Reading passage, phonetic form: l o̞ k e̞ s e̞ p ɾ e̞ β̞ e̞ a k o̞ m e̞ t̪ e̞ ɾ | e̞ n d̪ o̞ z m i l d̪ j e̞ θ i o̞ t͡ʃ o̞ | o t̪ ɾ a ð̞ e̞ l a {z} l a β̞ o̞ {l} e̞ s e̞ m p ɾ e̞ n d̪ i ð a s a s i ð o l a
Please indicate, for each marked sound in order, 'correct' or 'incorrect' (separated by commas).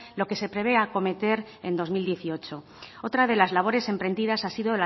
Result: correct, incorrect